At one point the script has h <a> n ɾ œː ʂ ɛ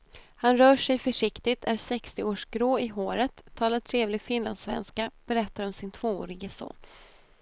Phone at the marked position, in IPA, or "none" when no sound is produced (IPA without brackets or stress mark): a